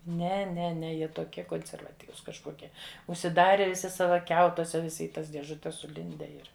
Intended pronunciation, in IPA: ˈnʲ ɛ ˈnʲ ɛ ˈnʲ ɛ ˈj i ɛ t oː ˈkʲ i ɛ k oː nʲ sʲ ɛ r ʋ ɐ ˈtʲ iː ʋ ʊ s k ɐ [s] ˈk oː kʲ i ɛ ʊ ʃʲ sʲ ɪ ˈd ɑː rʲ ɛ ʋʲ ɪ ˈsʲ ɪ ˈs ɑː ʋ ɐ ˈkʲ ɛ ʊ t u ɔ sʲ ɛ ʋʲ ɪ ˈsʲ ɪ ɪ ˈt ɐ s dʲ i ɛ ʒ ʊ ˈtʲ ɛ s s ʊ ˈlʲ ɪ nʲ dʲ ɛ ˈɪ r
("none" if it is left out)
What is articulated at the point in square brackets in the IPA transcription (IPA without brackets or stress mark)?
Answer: ʃ